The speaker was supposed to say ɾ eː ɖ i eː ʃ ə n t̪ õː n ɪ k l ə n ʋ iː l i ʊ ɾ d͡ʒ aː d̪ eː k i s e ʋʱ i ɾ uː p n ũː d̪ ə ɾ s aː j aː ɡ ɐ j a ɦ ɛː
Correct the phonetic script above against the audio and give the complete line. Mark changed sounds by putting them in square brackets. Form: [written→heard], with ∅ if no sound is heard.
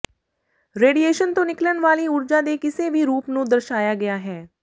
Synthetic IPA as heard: ɾ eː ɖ i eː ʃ ə n t̪ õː n ɪ k l ə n ʋ [iː→aː] l i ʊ ɾ d͡ʒ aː d̪ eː k [i→ɪ] s e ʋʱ i ɾ uː p n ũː d̪ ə ɾ [s→ʃ] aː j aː ɡ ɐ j a ɦ ɛː